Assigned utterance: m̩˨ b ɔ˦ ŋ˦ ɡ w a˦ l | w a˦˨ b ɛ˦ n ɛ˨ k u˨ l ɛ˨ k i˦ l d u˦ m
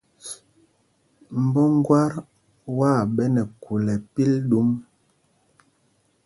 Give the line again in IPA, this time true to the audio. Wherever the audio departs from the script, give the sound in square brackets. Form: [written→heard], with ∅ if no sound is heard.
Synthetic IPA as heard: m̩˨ b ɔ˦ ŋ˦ ɡ w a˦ [l→ɾ] | w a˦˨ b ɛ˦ n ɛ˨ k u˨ l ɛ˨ [k→p] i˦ l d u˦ m

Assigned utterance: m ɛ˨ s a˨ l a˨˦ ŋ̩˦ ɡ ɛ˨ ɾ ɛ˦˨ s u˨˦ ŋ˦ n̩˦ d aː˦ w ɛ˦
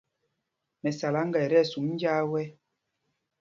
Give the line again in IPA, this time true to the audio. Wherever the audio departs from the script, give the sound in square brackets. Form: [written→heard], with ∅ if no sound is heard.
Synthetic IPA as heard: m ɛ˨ s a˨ l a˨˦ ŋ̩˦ ɡ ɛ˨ ɾ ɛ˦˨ s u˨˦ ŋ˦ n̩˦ [d→d͡ʒ] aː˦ w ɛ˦

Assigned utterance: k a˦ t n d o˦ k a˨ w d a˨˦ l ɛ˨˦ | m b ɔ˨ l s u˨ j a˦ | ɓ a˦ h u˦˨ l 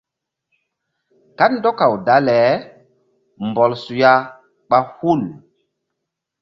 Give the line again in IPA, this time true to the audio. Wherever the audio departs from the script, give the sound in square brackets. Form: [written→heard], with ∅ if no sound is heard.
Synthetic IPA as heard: k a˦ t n d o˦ k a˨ w d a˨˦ l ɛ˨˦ | m b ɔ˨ l s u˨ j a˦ | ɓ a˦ h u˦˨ l

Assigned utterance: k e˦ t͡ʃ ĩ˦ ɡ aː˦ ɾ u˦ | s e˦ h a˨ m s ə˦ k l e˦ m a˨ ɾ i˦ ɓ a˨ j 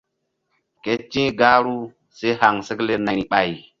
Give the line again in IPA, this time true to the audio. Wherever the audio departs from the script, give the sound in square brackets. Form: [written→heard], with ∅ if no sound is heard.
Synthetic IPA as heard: k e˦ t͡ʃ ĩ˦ ɡ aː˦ ɾ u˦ | s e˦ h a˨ [m→ŋ] s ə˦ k l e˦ [m→n] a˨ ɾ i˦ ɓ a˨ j

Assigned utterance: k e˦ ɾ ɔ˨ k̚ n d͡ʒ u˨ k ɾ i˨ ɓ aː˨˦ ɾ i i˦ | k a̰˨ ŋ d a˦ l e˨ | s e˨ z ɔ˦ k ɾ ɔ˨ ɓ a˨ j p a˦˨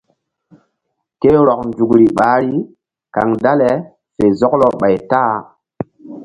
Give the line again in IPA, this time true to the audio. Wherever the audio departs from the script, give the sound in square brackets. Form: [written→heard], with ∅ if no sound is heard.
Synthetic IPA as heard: k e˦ ɾ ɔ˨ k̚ n d͡ʒ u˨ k ɾ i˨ ɓ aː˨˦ ɾ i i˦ | k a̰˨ ŋ d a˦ l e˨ | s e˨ z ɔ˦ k [ɾ→l] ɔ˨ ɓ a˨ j [p→t] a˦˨

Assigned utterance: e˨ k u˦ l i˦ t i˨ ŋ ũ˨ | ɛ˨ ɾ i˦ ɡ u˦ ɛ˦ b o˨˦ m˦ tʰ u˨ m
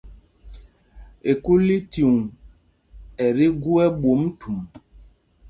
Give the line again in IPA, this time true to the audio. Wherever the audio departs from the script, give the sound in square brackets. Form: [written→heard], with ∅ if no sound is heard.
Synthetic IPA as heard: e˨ k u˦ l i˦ t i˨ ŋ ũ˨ | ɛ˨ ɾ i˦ ɡ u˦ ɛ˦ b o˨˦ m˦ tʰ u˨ m

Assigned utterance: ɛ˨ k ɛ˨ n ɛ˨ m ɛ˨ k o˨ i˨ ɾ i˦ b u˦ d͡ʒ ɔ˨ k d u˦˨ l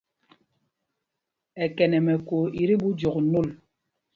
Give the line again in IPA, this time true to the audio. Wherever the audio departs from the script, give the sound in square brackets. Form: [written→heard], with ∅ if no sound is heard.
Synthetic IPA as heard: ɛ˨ k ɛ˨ n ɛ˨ m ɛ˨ k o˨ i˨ ɾ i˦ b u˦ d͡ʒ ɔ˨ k [d→n] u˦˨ l

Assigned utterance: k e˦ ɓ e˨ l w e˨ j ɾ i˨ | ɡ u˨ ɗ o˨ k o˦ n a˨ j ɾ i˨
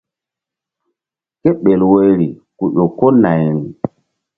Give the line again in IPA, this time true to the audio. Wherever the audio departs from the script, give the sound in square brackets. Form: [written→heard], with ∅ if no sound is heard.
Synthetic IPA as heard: k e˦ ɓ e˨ l w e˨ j ɾ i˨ | [ɡ→k] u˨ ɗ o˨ k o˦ n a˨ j ɾ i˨

